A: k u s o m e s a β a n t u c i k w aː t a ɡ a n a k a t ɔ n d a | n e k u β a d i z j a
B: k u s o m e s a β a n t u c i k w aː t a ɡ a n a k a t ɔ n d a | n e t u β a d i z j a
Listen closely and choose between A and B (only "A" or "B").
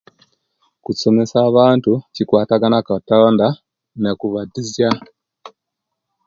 A